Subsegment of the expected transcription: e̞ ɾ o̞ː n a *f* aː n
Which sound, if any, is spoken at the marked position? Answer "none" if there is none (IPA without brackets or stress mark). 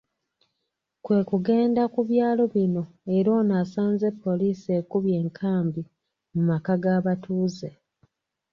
s